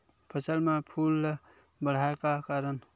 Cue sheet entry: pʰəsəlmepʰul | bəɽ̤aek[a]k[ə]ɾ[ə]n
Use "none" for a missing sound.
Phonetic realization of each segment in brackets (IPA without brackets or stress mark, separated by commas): a, a, ə